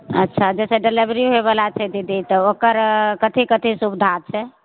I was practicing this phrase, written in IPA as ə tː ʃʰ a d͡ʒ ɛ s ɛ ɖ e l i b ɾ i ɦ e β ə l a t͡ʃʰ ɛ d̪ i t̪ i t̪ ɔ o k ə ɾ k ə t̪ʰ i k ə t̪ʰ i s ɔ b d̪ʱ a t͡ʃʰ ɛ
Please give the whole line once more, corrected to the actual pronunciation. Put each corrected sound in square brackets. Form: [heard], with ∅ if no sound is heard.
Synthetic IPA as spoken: ə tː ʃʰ a d͡ʒ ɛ s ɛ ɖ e l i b ɾ i ɦ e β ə l a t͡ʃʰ ɛ d̪ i [d̪] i t̪ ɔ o k ə ɾ k ə t̪ʰ i k ə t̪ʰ i s [u] b d̪ʱ a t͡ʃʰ ɛ